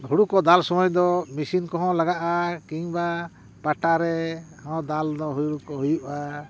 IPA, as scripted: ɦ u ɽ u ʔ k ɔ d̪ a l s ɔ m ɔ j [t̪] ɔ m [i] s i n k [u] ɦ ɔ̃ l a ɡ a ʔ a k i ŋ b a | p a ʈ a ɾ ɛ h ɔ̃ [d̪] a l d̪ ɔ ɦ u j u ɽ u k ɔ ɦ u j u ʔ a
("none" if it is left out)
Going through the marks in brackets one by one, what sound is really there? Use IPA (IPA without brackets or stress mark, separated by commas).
d̪, i, ɔ, d̪